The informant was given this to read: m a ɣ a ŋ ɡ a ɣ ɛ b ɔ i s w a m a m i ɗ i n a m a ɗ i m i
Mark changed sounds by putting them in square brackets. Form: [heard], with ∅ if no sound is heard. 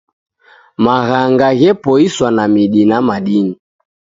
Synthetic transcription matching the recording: m a ɣ a ŋ ɡ a ɣ ɛ [p] ɔ i s w a [n] a m i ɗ i n a m a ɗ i [n] i

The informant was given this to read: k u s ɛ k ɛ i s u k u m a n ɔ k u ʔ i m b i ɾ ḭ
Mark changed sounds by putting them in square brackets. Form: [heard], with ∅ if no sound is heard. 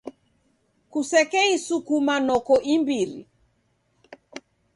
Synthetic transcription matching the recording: k u s ɛ k ɛ i s u k u m a n ɔ k [ɔ] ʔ i m b i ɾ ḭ

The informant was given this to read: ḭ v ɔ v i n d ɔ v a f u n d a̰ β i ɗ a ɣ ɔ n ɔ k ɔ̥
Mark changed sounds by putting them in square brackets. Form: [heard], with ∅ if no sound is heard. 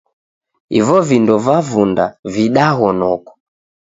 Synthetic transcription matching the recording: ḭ v ɔ v i n d ɔ v a [v] u n d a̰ [v] i ɗ a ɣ ɔ n ɔ k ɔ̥

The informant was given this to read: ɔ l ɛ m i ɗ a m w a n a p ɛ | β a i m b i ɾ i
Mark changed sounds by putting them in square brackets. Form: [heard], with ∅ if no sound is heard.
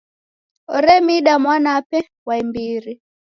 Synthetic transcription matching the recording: ɔ [ɾ] ɛ m i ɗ a m w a n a p ɛ | [w] a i m b i ɾ i

